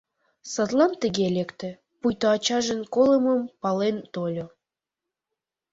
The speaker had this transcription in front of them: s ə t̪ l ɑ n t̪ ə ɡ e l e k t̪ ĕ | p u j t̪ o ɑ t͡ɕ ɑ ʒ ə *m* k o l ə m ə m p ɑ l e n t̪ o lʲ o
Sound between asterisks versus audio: incorrect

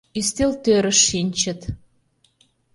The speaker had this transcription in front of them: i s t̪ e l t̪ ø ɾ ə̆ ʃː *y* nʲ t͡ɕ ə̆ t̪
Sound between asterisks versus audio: incorrect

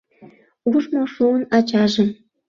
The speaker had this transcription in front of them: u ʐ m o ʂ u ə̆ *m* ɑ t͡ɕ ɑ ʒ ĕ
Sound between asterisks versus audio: incorrect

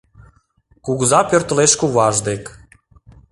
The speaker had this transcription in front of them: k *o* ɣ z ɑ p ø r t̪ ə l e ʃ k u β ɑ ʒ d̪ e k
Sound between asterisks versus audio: incorrect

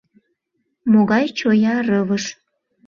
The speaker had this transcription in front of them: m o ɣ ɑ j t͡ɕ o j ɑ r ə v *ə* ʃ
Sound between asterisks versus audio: correct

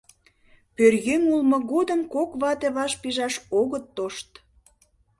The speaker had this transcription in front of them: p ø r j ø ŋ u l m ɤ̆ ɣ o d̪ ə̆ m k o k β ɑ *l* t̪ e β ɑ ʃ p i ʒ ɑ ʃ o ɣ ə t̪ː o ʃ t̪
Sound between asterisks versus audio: incorrect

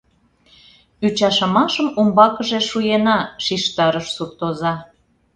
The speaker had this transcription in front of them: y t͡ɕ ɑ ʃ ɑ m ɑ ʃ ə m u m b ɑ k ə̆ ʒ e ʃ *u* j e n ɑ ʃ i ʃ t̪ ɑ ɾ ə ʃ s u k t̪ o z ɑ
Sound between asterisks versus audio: correct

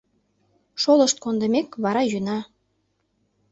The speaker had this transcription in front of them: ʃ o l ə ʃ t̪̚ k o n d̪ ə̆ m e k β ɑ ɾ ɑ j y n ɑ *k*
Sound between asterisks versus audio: incorrect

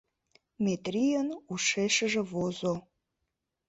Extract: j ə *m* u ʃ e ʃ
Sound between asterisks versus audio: incorrect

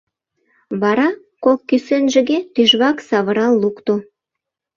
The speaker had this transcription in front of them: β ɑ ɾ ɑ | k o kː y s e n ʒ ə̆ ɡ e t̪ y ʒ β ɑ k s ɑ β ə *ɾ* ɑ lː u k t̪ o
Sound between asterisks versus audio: correct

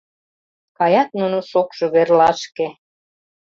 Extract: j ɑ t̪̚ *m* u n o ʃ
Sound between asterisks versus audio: incorrect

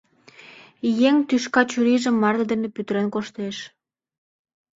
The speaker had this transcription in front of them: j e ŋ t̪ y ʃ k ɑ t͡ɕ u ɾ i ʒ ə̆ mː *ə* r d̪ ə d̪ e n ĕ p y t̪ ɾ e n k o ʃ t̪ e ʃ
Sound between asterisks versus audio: incorrect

